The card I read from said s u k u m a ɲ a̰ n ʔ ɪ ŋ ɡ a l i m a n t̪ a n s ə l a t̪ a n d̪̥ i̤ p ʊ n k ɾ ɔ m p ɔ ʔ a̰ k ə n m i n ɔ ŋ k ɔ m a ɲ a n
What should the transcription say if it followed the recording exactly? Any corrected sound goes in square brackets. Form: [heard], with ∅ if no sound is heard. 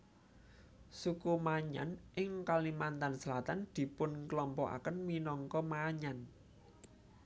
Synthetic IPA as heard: s u k u m a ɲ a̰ n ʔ ɪ ŋ [k] a l i m a n t̪ a n s ə l a t̪ a n d̪̥ i̤ p ʊ n k [l] ɔ m p ɔ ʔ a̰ k ə n m i n ɔ ŋ k ɔ m a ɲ a n